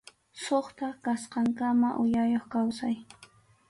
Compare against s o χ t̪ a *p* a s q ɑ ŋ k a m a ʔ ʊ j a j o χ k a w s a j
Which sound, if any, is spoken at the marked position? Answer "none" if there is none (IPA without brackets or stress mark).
k